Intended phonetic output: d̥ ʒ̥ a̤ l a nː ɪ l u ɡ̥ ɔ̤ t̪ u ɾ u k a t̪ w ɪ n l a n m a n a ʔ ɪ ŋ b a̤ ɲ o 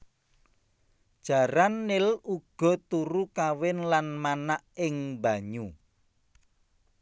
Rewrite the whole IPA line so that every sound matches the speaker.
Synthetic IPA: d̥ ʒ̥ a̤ ɾ a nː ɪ l u ɡ̥ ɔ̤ t̪ u ɾ u k a w ɪ n l a n m a n a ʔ ɪ ŋ b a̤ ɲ u